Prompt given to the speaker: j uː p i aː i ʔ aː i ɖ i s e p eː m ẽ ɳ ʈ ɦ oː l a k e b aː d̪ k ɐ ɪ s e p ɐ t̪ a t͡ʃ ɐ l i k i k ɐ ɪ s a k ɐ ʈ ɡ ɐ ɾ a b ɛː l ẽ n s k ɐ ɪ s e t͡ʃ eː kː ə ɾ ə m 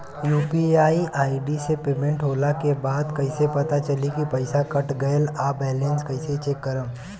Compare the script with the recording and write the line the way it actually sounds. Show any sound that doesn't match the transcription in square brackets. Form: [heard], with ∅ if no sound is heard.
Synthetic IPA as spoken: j uː p i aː i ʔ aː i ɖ i s e p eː m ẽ ɳ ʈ ɦ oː l a k e b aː d̪ k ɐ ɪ s e p ɐ t̪ a t͡ʃ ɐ l i k i [p] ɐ ɪ s a k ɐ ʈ ɡ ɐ [l] a b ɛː l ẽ n s k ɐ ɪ s e t͡ʃ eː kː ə ɾ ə m